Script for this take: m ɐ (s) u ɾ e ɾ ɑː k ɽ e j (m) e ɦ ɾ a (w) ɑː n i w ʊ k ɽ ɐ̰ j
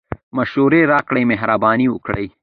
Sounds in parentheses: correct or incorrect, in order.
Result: incorrect: ʃ, correct, incorrect: b

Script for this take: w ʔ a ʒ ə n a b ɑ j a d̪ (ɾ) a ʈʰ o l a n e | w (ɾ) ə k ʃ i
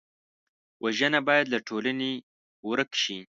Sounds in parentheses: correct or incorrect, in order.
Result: incorrect: l, correct

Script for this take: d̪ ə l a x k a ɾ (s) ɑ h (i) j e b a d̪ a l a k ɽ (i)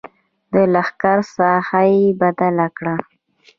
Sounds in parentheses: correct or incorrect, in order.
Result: correct, incorrect: a, incorrect: a

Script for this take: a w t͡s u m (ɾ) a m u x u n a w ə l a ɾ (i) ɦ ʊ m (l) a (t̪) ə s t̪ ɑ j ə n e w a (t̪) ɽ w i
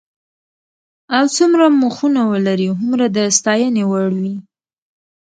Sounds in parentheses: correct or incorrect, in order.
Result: correct, correct, incorrect: ɾ, incorrect: d̪, incorrect: none

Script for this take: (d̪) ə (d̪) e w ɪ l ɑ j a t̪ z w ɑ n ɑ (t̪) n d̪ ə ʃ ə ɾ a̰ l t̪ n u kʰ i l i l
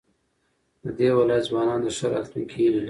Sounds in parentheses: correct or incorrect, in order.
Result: correct, correct, incorrect: none

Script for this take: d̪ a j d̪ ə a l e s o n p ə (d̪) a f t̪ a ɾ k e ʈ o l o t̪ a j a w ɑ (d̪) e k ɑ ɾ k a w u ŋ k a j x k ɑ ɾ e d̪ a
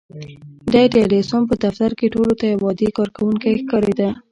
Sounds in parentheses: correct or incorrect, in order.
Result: correct, correct

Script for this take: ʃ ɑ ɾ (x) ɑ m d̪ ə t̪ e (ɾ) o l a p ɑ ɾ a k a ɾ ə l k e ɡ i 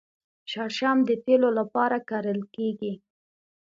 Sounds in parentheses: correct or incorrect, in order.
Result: incorrect: ʃ, incorrect: l

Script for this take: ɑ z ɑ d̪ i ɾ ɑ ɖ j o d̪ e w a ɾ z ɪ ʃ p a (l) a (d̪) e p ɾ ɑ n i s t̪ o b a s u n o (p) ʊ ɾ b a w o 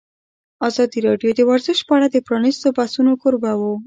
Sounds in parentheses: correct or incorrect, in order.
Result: incorrect: ɽ, correct, incorrect: k

